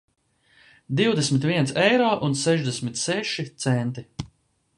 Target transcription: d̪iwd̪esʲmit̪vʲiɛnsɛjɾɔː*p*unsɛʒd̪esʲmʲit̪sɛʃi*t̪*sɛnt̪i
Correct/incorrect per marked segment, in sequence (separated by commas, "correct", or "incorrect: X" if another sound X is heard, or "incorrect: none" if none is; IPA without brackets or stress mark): incorrect: ʔ, correct